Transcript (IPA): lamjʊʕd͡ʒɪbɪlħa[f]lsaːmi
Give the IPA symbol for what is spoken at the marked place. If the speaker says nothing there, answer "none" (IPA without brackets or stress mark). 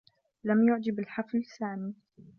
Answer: f